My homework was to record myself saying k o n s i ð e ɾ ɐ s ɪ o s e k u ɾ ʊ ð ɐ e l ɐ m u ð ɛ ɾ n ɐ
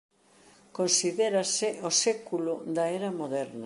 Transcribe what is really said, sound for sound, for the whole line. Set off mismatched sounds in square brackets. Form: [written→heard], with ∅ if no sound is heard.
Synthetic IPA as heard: k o n s i ð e ɾ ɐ s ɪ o s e k u [ɾ→l] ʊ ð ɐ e [l→ɾ] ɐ m [u→o] ð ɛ ɾ n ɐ